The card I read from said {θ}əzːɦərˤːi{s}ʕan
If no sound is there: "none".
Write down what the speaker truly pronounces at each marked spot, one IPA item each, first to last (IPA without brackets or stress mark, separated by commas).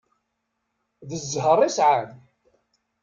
ð, s